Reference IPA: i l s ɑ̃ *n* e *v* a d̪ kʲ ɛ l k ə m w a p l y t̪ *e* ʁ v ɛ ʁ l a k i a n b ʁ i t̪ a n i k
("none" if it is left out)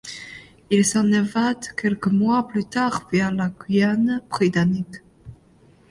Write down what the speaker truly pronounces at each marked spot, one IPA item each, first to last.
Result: n, v, a

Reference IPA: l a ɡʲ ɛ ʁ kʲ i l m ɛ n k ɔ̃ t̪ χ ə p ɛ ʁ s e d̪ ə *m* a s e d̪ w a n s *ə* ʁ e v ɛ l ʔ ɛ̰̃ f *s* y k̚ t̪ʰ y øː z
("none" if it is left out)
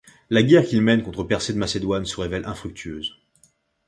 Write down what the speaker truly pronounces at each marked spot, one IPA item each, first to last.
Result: m, ə, χ

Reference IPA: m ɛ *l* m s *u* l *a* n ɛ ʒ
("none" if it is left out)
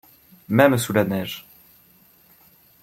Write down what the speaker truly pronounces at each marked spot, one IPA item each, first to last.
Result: none, u, a

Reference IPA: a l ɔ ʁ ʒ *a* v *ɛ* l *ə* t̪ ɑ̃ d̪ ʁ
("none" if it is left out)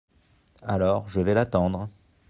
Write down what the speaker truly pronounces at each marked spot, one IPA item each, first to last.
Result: ə, ɛ, a

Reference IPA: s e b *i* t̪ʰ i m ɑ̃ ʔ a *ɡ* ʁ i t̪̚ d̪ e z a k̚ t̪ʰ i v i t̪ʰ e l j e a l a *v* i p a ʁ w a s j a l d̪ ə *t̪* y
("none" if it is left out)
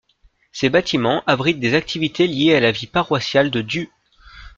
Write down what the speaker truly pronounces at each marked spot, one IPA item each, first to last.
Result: a, b, v, d̪

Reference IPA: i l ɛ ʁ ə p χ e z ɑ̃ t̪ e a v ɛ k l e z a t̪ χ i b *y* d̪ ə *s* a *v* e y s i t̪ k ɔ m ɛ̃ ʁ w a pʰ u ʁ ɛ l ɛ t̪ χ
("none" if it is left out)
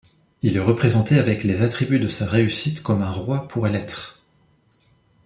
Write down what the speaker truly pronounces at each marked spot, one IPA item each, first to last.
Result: y, s, ʁ

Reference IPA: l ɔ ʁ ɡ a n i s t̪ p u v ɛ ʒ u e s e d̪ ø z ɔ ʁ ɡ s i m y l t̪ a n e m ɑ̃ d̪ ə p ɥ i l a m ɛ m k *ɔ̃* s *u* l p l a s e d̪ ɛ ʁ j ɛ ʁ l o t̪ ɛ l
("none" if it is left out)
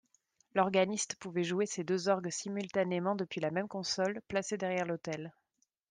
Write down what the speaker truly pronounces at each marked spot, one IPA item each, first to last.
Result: ɔ̃, ɔ

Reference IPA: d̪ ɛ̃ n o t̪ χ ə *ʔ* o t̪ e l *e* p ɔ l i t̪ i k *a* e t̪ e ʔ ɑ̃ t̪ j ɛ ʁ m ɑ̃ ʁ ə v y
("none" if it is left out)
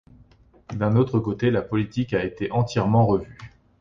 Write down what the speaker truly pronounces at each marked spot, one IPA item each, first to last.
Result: k, a, a

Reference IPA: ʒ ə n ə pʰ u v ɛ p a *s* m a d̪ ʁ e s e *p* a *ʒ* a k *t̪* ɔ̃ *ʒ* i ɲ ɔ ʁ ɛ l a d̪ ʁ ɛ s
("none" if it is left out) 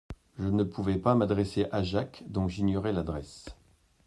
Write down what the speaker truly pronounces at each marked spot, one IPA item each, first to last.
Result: none, ʔ, ʒ, d̪, ʒ

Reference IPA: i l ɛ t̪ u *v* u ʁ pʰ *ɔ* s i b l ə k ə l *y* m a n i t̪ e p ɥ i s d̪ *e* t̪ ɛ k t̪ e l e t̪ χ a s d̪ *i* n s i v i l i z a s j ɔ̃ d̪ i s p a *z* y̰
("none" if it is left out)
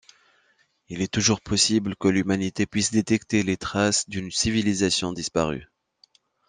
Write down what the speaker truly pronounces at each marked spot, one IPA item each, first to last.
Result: ʒ, ɔ, y, e, y, ʁ

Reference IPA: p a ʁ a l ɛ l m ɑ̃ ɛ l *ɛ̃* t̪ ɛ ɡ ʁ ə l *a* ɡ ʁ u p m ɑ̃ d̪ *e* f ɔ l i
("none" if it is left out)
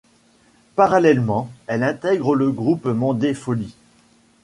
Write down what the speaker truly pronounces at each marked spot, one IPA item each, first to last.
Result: ɛ̃, ə, e

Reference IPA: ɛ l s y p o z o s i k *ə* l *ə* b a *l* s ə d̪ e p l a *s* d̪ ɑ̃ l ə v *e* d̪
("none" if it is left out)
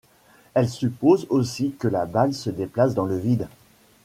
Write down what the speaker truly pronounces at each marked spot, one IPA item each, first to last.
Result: ə, a, l, s, i

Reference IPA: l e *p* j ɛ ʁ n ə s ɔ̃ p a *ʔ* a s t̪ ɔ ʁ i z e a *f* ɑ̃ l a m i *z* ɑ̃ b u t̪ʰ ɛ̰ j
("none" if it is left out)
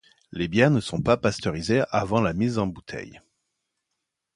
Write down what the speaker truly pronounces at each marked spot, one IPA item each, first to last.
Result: b, p, v, z

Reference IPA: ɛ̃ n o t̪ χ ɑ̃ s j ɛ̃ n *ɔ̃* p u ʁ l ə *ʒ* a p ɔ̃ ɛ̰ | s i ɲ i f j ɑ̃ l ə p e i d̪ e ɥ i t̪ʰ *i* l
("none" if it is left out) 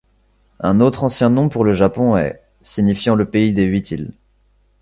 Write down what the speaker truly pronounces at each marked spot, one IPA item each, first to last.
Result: ɔ̃, ʒ, i

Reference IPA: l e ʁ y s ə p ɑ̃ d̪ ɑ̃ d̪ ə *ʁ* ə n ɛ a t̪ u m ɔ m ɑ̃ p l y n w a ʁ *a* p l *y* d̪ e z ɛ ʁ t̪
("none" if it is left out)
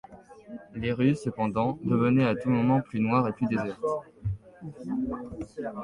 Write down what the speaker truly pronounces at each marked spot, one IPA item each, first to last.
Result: v, e, y

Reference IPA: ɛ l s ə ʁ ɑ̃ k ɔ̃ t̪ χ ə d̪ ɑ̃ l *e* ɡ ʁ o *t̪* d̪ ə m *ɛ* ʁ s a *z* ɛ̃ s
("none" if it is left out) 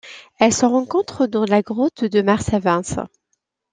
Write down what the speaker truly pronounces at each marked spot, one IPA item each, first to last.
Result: a, t̪, a, v

